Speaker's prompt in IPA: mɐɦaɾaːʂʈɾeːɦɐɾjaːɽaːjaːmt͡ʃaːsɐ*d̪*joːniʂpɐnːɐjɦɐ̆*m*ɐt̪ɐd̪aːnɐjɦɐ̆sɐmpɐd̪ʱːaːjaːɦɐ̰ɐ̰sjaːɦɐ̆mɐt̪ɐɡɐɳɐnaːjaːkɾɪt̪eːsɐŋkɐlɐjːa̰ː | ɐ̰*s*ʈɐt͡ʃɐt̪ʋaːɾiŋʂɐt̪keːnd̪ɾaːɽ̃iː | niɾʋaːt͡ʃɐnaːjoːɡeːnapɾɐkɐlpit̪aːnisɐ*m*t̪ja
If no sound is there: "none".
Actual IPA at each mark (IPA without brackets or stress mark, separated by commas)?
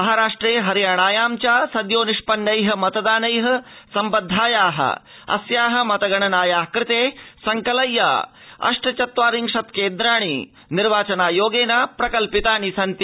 d̪, m, ʂ, n